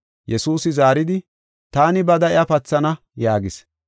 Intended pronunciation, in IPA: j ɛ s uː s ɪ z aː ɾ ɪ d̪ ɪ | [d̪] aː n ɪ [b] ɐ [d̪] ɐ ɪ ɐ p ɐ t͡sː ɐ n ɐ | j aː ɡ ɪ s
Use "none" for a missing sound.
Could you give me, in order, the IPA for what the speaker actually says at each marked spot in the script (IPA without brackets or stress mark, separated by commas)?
t̪, b, d̪